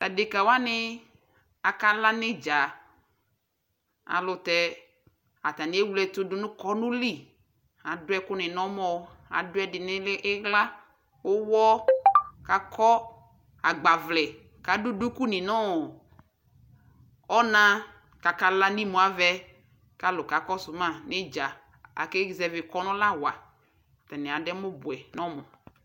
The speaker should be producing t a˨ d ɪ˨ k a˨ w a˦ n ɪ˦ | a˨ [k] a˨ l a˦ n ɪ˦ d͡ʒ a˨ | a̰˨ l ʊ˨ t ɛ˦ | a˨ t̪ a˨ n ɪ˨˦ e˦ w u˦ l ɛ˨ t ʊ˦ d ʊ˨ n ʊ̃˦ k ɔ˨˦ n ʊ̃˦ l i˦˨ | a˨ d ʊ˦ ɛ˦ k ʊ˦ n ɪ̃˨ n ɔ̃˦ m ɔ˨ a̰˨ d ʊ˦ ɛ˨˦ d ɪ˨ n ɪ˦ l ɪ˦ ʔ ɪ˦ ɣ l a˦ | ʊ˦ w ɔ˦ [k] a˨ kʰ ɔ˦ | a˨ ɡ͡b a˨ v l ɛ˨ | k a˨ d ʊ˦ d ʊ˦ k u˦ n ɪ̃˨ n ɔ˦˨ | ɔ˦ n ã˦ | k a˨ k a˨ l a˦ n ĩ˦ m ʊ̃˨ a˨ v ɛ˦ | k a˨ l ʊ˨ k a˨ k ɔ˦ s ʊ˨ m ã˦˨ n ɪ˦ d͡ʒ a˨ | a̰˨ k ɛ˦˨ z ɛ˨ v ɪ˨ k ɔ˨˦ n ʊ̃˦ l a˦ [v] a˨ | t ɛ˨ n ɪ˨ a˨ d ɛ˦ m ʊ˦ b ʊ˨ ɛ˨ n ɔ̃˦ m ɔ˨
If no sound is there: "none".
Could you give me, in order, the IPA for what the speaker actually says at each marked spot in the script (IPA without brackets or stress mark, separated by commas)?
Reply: k, k, w